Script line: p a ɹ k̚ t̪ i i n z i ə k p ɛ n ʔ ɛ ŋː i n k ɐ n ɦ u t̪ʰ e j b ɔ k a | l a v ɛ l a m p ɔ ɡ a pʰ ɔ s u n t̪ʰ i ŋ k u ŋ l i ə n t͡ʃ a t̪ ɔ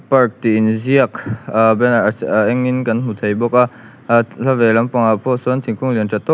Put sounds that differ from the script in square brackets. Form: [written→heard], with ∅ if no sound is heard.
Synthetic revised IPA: p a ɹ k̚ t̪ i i n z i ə k [p→b] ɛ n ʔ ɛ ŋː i n k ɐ n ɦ u t̪ʰ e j b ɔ k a | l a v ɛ l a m p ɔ [ɡ→ŋ] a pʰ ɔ s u n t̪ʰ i ŋ k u ŋ l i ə n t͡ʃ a t̪ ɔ